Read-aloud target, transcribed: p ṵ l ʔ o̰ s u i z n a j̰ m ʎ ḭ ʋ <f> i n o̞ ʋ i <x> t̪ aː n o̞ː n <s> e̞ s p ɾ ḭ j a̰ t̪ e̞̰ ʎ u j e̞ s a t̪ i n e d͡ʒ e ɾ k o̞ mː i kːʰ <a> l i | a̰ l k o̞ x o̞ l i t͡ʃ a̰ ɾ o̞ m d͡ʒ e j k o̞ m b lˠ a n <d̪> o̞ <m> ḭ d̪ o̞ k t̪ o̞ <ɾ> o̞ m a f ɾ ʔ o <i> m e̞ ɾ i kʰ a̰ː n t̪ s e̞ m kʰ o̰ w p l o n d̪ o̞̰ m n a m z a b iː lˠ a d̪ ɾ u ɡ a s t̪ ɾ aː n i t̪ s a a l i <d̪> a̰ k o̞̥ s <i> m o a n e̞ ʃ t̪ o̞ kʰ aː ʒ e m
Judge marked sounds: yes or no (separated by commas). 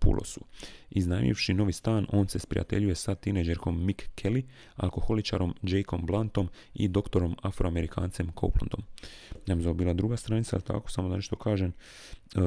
no, no, yes, no, no, yes, yes, no, no, no